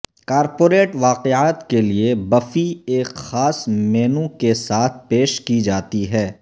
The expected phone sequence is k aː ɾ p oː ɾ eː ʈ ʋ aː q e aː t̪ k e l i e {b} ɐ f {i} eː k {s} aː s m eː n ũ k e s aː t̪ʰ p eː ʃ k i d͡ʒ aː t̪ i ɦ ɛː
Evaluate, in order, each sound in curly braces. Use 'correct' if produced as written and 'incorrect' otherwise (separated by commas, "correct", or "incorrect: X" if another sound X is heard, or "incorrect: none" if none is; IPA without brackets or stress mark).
correct, correct, incorrect: x